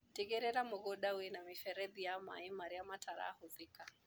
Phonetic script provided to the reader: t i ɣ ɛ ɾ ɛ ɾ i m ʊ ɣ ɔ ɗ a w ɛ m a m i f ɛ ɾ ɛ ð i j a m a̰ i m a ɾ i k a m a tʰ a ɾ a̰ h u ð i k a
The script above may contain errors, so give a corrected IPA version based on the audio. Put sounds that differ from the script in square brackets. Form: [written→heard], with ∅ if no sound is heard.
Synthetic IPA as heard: t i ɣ ɛ ɾ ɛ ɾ [i→a] m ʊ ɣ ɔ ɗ a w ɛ [m→n] a m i f ɛ ɾ ɛ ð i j a m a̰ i m a ɾ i [k→∅] a m a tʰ a ɾ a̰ h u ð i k a